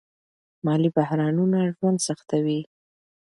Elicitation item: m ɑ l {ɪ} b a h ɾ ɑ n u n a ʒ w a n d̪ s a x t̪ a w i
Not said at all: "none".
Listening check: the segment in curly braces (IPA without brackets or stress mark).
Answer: i